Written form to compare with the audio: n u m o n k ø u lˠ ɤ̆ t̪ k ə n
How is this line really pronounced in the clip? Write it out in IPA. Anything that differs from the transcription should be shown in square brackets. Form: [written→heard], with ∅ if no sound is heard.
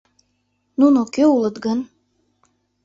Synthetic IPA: n u [m→n] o [n→∅] k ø u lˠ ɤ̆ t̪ [k→ɡ] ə n